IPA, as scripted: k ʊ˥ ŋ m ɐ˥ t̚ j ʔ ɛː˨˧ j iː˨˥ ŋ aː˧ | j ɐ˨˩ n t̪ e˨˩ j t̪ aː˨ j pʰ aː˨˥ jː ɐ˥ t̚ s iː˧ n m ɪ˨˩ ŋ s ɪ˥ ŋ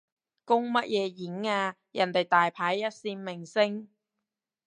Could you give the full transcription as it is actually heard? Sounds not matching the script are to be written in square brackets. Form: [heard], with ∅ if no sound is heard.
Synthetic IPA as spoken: k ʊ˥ ŋ m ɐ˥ t̚ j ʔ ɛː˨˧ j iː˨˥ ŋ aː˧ | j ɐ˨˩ n t̪ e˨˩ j t̪ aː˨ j pʰ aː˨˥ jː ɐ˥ t̚ s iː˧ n m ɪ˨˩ ŋ s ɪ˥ ŋ